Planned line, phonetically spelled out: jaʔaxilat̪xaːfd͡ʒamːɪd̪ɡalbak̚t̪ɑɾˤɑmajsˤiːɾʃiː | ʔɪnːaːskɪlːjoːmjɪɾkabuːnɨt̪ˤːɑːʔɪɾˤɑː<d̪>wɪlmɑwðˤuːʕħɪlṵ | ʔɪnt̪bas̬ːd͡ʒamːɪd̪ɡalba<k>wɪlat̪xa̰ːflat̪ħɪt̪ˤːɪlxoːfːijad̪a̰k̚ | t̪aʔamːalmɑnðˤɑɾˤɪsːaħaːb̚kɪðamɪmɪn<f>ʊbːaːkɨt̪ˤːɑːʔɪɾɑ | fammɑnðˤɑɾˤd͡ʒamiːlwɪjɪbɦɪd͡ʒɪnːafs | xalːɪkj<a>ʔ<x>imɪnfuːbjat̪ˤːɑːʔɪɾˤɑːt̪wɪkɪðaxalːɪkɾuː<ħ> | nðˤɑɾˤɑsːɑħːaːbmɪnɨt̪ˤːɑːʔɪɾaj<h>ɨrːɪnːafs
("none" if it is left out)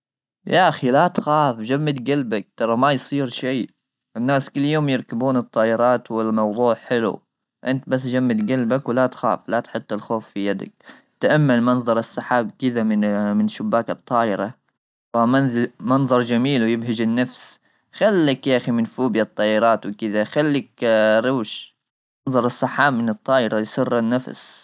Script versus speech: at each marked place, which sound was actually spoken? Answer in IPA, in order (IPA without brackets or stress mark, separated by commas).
t̪, k, ʃ, a, x, ʃ, s